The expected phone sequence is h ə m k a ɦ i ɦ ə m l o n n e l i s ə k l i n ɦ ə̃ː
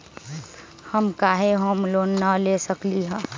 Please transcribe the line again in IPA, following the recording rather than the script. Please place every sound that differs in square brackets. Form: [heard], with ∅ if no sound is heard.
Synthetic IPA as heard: h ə m k a ɦ [e] ɦ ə m l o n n [a] l [e] s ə k l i [∅] ɦ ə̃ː